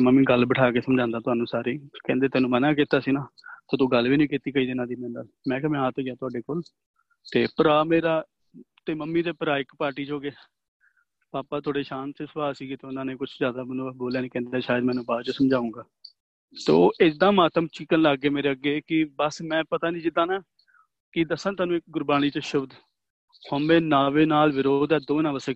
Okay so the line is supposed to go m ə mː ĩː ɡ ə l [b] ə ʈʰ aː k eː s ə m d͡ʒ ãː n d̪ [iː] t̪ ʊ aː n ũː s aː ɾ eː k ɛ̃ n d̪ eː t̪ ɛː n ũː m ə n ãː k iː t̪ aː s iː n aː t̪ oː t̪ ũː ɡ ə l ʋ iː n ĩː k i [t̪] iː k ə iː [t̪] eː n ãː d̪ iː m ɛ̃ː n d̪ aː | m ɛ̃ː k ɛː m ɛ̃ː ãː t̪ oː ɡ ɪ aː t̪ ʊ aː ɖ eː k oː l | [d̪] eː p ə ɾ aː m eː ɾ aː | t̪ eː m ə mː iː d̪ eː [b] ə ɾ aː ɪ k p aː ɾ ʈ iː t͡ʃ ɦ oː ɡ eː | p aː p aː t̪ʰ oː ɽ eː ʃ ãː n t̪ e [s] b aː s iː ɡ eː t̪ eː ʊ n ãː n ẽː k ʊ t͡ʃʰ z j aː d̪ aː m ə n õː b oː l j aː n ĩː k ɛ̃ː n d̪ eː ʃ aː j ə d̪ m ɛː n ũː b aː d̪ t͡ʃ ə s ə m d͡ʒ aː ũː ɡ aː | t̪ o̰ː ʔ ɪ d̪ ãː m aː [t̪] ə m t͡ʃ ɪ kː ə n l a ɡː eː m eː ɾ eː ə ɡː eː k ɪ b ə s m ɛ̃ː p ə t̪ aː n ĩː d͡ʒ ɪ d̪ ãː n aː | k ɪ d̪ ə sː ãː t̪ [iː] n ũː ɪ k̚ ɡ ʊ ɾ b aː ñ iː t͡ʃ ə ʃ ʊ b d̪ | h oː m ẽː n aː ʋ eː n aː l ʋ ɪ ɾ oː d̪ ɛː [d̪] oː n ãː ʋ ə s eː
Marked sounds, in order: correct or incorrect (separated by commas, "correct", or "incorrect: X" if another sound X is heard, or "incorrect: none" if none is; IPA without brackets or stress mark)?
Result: correct, incorrect: aː, correct, incorrect: d̪, incorrect: t̪, incorrect: p, correct, correct, incorrect: aː, correct